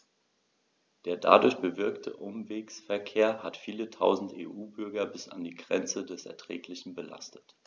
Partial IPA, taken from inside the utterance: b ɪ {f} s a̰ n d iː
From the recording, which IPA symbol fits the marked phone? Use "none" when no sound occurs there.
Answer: none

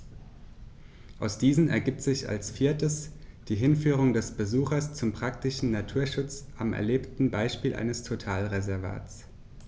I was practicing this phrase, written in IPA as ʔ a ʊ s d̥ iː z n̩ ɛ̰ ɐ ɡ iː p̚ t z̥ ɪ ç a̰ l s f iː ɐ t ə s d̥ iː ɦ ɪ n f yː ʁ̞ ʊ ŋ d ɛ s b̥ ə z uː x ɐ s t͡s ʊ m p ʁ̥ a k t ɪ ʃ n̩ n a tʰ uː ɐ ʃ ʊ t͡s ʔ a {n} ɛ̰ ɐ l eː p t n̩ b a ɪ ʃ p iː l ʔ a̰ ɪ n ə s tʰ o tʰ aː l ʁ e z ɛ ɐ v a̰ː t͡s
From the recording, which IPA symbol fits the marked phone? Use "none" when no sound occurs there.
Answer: m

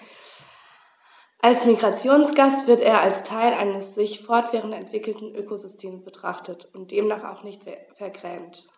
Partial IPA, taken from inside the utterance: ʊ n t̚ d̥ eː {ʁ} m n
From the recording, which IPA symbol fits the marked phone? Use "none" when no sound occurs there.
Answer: none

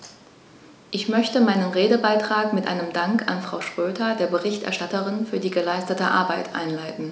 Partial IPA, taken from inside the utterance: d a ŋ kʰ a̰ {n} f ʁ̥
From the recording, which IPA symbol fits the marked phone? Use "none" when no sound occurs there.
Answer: n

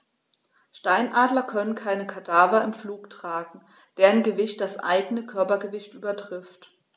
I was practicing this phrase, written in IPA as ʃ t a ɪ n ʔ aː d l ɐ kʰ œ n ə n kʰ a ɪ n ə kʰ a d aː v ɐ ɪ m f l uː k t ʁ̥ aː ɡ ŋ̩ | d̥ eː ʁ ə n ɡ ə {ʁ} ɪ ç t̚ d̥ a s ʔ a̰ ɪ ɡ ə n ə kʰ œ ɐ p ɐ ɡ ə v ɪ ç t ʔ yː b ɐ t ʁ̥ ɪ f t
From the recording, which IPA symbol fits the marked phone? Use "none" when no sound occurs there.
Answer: v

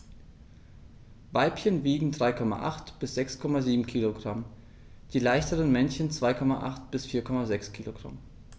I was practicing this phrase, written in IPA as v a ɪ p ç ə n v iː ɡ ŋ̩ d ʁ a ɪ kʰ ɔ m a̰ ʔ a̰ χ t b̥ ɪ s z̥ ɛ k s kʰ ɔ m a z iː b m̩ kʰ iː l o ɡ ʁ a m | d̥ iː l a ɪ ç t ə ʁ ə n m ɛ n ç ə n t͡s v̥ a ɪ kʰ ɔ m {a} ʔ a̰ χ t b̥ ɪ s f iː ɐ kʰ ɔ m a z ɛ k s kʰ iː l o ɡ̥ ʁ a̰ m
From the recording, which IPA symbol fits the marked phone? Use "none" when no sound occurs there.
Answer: a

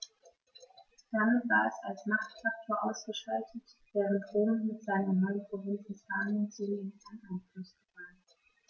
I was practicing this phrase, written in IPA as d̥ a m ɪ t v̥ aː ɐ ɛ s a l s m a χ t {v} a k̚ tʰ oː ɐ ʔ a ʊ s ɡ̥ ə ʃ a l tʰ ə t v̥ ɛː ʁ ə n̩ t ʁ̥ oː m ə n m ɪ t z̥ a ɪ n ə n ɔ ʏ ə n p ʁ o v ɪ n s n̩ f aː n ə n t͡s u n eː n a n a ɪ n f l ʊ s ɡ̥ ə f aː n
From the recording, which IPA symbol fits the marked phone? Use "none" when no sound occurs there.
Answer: f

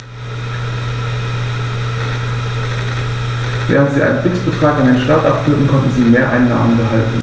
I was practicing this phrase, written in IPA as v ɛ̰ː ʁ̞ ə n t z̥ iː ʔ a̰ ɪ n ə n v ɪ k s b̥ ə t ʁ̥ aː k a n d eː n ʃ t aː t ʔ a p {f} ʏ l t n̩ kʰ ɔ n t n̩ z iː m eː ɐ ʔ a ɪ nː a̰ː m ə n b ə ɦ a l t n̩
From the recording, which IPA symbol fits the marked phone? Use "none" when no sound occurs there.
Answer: f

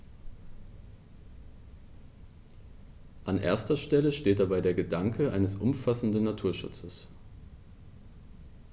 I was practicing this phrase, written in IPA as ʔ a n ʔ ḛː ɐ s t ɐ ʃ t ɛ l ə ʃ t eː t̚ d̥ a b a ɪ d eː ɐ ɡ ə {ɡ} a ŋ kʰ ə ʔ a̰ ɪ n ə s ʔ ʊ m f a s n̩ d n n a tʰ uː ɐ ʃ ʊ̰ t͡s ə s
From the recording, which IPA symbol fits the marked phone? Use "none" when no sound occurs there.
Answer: d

